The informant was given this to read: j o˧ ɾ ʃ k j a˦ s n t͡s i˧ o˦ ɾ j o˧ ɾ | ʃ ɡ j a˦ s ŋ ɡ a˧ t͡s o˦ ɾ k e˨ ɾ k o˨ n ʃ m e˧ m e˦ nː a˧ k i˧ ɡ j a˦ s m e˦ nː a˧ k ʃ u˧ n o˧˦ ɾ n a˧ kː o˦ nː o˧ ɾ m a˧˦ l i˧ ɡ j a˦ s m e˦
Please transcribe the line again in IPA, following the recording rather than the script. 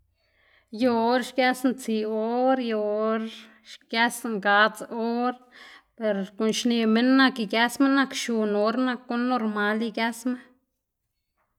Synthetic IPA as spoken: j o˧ ɾ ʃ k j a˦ s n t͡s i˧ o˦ ɾ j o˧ ɾ | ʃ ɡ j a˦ s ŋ ɡ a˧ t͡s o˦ ɾ p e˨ ɾ k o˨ n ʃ n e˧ m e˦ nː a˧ k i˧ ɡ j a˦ s m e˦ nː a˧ k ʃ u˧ n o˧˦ ɾ n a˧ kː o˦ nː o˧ ɾ m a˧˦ l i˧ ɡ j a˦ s m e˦